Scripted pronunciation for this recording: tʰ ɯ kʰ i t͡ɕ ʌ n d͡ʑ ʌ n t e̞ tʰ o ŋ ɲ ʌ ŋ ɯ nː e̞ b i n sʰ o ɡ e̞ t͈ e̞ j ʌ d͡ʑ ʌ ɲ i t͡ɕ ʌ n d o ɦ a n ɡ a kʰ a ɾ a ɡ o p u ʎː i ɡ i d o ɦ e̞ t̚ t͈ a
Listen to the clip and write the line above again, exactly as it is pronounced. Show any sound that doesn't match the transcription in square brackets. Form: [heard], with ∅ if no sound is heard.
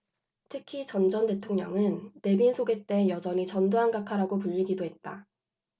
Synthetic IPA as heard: tʰ ɯ kʰ i t͡ɕ ʌ n d͡ʑ ʌ n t e̞ tʰ o ŋ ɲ ʌ ŋ ɯ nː e̞ b i n sʰ o ɡ e̞ t͈ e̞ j ʌ d͡ʑ ʌ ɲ i t͡ɕ ʌ n d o ɦ a n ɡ a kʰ a ɾ a ɡ o p u ʎː i ɡ i d o ɦ e̞ t̚ t͈ a